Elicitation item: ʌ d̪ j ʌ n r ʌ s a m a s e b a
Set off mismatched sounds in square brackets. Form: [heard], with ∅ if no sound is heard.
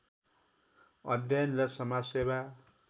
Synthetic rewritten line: ʌ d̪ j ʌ n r ʌ s [ʌ] m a s e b a